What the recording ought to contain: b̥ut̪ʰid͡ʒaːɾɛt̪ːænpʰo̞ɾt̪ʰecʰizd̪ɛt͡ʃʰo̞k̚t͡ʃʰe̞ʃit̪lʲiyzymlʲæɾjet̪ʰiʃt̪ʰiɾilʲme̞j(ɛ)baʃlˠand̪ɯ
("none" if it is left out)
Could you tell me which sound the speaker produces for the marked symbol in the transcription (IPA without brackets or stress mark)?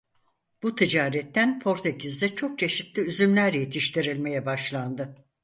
ɛ